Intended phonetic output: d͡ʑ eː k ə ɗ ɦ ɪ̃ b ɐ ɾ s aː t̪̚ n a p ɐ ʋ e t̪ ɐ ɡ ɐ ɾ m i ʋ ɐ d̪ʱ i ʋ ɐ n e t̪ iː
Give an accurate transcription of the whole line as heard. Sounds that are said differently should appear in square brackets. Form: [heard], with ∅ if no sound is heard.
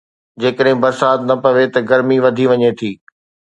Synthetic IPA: d͡ʑ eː k ə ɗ ɦ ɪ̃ b ɐ ɾ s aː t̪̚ n [ɐ] p ɐ ʋ e t̪ ɐ ɡ ɐ ɾ m i ʋ ɐ d̪ʱ i ʋ ɐ [ɲ] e [t̪ʰ] iː